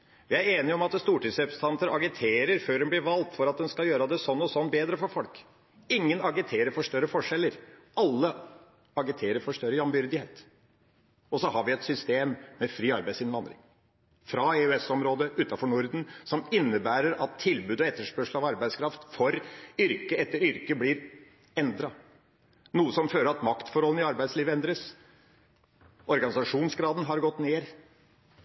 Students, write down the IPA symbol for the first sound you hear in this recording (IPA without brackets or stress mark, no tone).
ʋ